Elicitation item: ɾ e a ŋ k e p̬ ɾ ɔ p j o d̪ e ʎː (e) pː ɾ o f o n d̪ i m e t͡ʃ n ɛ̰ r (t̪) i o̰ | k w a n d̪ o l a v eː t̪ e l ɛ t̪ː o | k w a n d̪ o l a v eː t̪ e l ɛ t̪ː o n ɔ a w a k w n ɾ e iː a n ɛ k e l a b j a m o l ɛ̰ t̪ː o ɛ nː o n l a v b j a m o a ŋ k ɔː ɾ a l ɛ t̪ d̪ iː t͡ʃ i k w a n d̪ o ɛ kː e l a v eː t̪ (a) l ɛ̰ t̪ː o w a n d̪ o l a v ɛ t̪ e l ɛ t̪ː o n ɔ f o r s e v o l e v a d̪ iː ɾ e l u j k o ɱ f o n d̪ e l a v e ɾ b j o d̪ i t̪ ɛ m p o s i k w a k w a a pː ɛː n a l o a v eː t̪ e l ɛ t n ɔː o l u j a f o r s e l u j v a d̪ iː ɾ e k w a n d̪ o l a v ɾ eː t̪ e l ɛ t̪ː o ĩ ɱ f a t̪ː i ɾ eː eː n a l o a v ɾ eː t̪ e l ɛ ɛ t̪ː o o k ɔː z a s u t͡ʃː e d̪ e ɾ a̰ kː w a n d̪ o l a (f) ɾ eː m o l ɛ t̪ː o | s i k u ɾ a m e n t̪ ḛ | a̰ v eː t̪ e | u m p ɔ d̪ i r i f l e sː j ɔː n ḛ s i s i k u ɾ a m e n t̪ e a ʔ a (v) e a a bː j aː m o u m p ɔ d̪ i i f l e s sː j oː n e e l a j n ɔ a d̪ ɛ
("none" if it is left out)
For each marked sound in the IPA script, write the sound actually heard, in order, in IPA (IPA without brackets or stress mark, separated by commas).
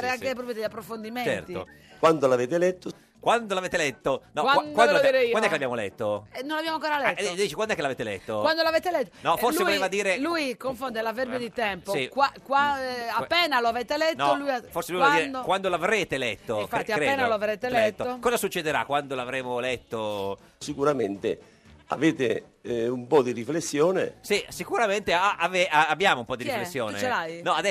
a, t̪, e, v, v